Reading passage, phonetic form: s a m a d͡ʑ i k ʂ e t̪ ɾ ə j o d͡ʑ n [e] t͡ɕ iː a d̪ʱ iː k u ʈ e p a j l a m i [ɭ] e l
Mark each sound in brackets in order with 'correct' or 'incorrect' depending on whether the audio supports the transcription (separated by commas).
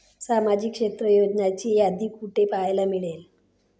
incorrect, correct